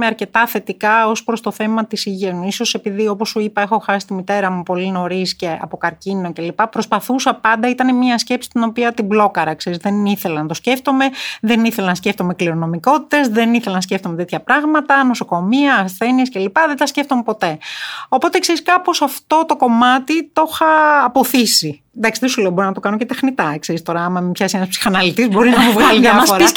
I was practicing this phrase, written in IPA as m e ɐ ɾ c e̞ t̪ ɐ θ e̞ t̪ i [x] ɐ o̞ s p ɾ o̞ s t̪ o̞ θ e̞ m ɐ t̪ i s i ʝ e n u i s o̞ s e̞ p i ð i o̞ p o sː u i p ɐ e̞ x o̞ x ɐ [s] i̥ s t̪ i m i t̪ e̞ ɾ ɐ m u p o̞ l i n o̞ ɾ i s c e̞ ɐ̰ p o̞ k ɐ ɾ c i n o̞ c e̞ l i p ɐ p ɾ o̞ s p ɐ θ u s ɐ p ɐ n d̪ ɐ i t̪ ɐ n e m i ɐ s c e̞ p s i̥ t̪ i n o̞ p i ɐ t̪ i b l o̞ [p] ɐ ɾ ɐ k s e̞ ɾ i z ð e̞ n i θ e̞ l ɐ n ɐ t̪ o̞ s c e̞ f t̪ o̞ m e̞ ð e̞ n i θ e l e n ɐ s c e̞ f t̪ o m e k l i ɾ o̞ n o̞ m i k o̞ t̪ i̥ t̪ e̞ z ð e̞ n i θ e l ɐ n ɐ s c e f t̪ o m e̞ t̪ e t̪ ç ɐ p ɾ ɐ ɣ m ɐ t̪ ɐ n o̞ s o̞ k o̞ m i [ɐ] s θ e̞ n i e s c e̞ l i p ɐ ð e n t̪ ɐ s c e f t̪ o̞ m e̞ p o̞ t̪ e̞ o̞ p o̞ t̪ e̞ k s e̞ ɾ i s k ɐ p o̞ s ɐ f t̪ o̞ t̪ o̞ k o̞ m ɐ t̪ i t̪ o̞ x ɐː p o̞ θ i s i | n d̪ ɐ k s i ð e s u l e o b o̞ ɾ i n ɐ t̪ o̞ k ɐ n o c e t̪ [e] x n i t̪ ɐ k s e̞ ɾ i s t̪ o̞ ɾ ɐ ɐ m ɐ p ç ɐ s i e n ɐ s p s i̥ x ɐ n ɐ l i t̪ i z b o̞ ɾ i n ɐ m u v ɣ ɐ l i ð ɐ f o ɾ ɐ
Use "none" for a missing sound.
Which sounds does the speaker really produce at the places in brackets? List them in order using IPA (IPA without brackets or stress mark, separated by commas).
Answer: k, s, k, ɐː, e